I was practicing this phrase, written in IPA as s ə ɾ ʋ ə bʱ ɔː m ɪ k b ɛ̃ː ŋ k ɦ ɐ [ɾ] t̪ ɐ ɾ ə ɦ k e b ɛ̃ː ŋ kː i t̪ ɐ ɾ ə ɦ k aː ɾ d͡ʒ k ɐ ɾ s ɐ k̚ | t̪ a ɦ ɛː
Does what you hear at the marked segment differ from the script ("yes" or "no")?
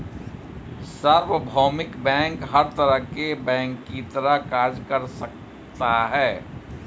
no